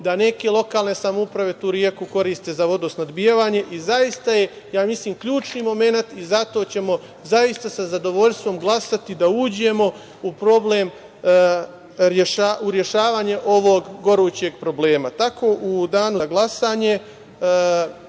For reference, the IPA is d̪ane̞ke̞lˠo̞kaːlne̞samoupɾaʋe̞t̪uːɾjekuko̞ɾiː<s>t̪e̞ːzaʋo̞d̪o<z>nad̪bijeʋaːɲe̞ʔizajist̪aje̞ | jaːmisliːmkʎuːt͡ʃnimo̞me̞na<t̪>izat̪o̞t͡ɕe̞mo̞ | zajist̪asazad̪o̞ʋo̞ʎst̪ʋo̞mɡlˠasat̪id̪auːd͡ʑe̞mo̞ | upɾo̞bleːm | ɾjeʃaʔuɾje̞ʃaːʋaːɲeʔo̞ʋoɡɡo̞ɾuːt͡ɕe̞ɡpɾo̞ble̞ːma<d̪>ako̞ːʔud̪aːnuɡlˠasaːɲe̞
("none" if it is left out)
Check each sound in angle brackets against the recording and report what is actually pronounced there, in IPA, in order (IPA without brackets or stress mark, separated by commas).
s, s, t̪, t̪